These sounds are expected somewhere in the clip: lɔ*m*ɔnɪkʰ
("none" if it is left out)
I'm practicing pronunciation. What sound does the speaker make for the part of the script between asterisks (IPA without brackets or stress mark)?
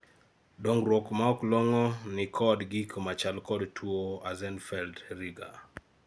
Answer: ŋ